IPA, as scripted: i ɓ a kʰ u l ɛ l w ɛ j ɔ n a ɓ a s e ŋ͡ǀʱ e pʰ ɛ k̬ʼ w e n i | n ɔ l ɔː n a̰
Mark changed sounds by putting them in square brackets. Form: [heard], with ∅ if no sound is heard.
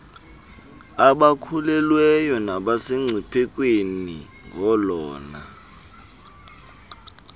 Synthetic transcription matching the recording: [a] ɓ a kʰ u l ɛ l w ɛ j ɔ n a ɓ a s e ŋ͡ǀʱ [i] pʰ ɛ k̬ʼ w e n i | [ŋ] ɔ l ɔː n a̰